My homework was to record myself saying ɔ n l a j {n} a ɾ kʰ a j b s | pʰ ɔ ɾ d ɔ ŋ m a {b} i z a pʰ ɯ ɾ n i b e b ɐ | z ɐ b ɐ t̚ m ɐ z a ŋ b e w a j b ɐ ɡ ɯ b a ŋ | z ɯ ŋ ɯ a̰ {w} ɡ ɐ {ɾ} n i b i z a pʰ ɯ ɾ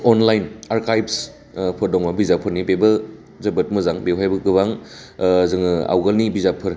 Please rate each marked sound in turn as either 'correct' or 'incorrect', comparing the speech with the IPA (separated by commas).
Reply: correct, correct, correct, incorrect